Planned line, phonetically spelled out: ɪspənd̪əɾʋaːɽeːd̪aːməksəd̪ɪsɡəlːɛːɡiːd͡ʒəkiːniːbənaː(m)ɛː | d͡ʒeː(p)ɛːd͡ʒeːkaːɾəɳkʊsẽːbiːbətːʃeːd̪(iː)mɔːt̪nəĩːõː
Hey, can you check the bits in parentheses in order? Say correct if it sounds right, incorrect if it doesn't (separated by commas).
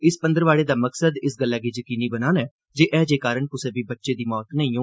incorrect, incorrect, correct